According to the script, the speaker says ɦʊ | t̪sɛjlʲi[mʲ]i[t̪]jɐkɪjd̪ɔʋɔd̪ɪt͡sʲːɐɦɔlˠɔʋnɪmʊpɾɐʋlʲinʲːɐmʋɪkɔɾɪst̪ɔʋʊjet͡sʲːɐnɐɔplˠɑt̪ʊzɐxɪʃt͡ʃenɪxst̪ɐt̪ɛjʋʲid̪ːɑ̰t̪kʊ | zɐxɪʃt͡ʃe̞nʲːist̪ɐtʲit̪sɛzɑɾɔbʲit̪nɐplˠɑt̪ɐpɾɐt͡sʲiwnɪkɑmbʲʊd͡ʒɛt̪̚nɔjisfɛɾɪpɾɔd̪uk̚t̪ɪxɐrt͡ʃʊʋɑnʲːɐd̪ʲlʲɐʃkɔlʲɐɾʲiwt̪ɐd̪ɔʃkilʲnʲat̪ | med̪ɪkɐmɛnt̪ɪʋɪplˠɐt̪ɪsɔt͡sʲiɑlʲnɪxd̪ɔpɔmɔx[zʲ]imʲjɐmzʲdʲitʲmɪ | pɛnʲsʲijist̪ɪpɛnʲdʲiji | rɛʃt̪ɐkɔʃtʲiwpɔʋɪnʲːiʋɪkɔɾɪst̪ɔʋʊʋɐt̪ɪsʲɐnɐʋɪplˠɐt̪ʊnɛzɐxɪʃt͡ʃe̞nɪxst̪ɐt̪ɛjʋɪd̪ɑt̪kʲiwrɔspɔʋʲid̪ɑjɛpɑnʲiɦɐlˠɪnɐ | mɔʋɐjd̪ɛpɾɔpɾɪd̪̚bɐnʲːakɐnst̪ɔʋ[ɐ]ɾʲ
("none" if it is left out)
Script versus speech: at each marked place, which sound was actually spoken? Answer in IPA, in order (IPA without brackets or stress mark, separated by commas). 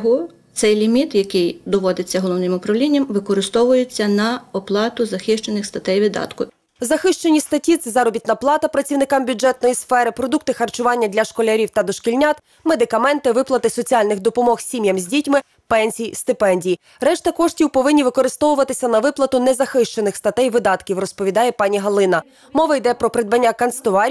mʲ, t̪, sʲ, ɑ